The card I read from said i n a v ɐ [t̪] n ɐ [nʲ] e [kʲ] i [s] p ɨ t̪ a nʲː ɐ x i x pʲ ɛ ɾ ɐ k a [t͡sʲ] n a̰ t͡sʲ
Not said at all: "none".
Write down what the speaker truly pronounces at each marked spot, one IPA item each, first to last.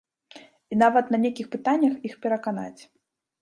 t̪, nʲ, kʲ, x, none

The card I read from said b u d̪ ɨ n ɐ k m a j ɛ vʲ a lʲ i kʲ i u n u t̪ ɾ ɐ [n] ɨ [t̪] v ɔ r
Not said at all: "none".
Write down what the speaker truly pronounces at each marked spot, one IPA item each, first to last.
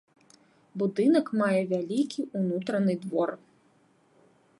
n, d̪

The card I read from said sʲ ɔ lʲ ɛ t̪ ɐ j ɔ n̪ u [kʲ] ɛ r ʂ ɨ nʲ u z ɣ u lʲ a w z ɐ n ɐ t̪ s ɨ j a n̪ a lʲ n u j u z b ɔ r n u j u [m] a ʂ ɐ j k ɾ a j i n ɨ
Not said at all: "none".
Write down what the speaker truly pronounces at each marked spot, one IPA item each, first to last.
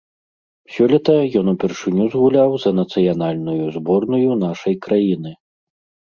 pʲ, n

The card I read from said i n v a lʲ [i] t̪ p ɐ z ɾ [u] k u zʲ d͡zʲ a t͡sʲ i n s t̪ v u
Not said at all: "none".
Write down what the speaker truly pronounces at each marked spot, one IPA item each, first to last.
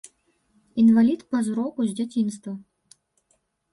i, ɔ

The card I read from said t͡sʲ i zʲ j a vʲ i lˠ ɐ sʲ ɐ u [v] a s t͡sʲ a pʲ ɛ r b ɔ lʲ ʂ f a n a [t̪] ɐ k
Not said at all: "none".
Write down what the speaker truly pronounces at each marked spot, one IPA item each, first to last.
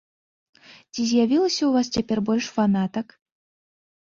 v, t̪

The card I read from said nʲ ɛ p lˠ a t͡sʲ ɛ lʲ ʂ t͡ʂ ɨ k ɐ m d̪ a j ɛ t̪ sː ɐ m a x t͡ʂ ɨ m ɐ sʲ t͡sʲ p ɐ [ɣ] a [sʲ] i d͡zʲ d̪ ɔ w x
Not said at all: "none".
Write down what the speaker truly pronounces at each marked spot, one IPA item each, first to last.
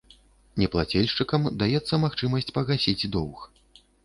ɣ, sʲ

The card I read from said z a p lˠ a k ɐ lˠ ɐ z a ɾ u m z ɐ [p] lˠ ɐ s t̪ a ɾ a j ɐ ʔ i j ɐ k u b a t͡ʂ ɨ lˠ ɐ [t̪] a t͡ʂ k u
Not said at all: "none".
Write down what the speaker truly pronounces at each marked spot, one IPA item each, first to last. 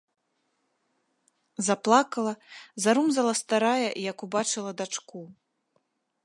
none, d̪

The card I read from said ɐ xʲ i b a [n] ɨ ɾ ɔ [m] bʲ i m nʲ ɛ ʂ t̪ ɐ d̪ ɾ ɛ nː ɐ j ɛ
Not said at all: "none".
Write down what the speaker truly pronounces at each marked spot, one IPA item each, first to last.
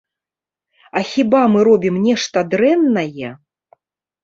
m, none

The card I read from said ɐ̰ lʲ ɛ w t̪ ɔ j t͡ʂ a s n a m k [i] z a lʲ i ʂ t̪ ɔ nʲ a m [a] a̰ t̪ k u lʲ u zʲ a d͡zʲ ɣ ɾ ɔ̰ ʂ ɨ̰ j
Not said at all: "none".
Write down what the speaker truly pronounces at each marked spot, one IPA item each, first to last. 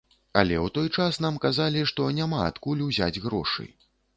a, a

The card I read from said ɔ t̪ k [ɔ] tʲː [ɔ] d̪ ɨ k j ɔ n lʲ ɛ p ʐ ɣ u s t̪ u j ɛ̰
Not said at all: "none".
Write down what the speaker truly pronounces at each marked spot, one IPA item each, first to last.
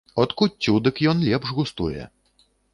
u, u

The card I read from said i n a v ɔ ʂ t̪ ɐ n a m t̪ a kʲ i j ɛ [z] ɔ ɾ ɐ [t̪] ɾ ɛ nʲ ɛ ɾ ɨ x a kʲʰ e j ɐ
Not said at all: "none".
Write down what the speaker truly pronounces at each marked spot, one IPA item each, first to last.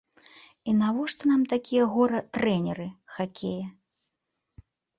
ɣ, t̪

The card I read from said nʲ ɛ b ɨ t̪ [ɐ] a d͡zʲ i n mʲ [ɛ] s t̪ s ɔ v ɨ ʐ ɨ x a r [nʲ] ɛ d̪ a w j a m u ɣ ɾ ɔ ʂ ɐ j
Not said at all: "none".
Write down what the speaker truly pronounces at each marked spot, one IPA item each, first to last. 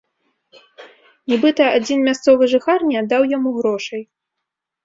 ɐ, a, nʲ

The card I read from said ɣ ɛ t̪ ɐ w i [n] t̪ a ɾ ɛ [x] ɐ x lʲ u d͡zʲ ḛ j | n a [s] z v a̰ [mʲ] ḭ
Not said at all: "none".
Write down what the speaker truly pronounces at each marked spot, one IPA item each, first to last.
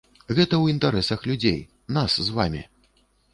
n, s, s, mʲ

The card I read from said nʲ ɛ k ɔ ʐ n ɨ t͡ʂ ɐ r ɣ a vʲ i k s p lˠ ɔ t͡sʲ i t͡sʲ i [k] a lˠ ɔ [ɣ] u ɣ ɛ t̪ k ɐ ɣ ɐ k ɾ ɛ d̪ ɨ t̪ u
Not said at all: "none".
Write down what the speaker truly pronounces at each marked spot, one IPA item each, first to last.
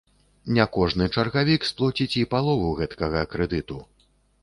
p, v

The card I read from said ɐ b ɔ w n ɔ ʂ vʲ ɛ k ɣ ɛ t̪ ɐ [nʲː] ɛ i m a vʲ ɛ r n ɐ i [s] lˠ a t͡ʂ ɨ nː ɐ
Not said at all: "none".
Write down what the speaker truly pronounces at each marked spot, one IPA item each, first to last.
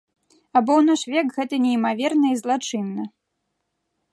nʲ, z

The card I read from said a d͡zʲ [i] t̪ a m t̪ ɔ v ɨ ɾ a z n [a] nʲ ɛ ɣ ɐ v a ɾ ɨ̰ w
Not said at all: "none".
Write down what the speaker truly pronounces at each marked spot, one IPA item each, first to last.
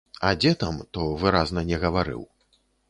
ɛ, ɐ

